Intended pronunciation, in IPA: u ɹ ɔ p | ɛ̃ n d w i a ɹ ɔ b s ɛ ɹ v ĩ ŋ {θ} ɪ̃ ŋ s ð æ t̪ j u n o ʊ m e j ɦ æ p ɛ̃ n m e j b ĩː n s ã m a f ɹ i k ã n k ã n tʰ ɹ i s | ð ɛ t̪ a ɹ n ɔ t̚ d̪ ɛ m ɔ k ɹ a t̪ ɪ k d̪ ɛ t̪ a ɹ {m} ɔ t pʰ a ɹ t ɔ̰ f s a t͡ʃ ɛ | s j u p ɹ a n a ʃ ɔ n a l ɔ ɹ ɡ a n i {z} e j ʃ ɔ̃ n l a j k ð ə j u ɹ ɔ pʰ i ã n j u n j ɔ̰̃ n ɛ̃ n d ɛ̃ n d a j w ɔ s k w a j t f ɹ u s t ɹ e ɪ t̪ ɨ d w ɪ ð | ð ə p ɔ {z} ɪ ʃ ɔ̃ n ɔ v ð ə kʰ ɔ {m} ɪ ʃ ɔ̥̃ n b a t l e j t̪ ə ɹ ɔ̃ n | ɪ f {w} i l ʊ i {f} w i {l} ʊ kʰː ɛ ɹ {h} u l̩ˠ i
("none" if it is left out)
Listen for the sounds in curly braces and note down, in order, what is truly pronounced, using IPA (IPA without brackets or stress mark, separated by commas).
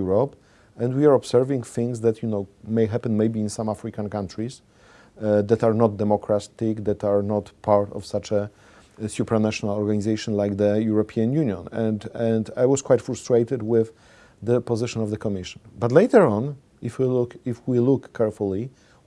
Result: θ, n, z, z, m, w, f, l, f